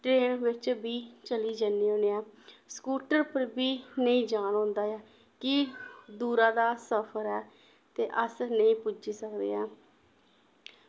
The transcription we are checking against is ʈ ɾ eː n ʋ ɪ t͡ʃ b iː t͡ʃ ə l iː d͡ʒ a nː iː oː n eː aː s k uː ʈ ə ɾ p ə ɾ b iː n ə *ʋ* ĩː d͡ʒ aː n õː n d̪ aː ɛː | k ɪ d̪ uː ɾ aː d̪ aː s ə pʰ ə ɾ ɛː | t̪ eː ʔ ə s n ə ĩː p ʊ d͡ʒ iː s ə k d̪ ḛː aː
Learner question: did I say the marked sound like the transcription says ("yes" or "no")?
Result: no